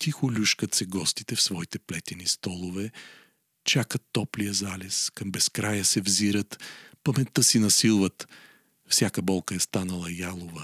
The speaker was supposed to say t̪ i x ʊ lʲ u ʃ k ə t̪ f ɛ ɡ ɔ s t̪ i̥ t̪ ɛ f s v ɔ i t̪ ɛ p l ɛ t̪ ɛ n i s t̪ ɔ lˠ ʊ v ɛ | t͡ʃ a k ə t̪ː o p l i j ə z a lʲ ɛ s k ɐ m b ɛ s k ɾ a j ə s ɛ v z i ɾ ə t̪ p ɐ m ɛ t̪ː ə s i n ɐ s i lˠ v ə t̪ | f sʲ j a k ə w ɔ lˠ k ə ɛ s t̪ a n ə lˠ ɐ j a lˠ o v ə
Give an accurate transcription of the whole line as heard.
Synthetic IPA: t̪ i x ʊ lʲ u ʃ k ə t̪ s ɛ ɡ ɔ s t̪ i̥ t̪ ɛ f s v ɔ i t̪ ɛ p l ɛ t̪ ɛ n i s t̪ ɔ lˠ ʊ v ɛ | t͡ʃ a k ə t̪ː ɔ p l i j ə z a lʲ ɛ s k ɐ m b ɛ s k ɾ a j ə s ɛ v z i ɾ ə t̪ p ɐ m ɛ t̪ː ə s i n ɐ s i lˠ v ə t̪ | f sʲ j a k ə b ɔ lˠ k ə ɛ s t̪ a n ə lˠ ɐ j a lˠ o v ə